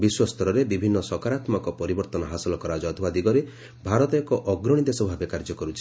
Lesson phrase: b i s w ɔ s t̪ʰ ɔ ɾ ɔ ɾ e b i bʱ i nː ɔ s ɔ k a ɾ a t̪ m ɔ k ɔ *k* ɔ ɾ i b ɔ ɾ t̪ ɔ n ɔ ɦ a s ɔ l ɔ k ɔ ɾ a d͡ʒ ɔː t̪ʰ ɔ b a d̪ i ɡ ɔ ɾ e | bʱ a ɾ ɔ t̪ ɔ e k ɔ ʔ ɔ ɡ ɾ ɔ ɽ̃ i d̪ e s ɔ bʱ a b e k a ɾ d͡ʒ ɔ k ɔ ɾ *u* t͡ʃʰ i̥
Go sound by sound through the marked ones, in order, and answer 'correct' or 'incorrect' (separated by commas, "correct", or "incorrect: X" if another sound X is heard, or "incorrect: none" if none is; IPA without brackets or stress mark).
incorrect: p, correct